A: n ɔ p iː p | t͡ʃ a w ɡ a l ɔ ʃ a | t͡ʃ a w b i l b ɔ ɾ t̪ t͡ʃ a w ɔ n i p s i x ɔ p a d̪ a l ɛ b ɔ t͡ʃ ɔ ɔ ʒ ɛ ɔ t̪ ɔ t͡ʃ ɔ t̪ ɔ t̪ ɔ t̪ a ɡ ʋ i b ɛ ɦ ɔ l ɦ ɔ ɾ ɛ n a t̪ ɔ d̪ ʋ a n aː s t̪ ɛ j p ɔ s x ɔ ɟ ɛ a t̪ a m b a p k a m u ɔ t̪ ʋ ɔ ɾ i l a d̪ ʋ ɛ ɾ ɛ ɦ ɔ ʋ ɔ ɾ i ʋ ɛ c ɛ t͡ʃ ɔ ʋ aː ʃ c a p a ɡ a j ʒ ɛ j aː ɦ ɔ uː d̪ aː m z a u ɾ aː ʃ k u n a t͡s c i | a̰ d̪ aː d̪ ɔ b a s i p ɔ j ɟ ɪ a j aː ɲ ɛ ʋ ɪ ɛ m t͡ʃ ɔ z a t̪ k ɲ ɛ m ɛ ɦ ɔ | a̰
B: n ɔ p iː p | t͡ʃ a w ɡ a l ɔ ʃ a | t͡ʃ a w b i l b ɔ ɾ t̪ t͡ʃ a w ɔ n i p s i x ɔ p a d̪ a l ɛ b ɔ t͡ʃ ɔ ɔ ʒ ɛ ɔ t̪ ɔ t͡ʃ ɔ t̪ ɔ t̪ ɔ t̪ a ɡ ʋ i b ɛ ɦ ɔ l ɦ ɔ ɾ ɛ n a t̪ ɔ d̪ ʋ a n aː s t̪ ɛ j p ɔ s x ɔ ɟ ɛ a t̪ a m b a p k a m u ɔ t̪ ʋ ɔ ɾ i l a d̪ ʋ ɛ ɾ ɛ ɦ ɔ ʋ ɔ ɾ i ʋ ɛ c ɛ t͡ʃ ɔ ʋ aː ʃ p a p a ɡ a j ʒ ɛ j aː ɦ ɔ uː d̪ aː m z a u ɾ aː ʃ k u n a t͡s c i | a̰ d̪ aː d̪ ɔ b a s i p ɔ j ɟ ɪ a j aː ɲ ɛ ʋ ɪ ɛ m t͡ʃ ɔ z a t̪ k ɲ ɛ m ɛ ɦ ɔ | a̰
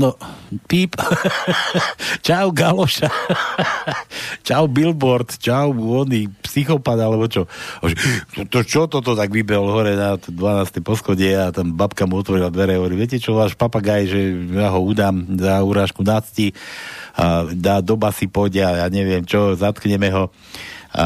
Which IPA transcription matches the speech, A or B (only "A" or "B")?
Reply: B